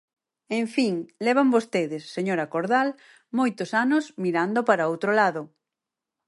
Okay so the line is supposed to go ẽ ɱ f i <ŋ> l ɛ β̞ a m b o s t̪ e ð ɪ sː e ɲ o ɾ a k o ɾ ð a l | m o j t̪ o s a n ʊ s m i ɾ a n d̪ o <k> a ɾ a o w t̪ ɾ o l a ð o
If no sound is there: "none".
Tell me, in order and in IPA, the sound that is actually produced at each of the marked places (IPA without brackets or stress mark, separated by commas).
ŋ, p